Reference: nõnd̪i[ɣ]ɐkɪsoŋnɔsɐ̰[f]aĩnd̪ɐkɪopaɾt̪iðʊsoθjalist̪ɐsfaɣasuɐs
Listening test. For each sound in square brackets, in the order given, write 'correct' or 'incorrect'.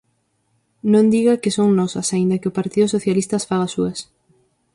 correct, incorrect

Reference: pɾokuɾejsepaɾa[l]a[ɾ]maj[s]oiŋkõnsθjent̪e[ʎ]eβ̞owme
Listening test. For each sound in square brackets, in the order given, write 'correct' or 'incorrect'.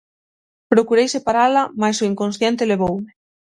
correct, incorrect, correct, incorrect

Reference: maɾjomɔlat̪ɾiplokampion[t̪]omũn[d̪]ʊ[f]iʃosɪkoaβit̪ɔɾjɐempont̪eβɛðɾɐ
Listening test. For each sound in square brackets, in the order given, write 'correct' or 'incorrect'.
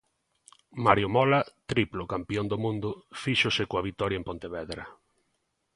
incorrect, correct, correct

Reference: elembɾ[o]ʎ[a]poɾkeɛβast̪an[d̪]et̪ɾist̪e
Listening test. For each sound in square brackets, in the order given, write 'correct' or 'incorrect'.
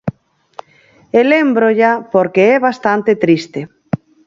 correct, correct, incorrect

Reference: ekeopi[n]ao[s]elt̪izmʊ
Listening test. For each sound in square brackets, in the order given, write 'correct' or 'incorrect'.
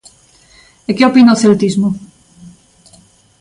correct, incorrect

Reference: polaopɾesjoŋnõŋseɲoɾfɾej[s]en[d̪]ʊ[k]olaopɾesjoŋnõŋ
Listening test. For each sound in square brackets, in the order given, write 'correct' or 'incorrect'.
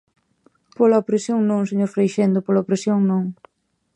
incorrect, correct, incorrect

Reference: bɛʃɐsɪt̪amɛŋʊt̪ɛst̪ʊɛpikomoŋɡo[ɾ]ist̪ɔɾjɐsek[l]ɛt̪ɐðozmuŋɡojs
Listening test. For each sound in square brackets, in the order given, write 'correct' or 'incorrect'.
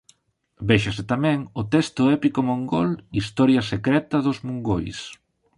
incorrect, incorrect

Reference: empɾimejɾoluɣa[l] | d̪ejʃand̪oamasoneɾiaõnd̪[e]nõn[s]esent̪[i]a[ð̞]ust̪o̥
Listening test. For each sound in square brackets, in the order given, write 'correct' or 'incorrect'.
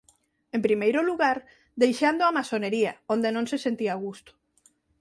incorrect, correct, correct, correct, incorrect

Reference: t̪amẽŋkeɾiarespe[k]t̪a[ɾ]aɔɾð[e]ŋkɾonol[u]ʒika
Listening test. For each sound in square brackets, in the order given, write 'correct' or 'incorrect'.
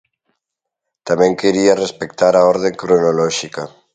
correct, correct, correct, incorrect

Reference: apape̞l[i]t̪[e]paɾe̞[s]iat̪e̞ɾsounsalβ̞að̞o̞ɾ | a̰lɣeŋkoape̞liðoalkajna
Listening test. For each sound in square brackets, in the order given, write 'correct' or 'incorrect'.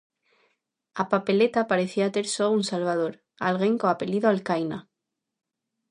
incorrect, incorrect, incorrect

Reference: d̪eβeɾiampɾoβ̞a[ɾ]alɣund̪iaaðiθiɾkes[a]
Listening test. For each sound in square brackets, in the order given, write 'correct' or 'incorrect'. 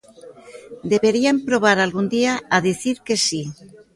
correct, incorrect

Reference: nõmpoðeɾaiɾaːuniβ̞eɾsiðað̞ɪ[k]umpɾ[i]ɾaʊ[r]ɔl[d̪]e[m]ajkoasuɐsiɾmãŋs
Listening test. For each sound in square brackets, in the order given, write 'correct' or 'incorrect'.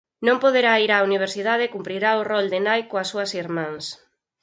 correct, correct, correct, correct, incorrect

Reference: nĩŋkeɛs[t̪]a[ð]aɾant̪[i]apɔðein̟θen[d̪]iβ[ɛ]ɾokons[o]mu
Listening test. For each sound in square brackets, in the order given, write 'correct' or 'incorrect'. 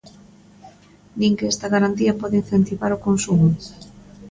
correct, incorrect, correct, incorrect, incorrect, incorrect

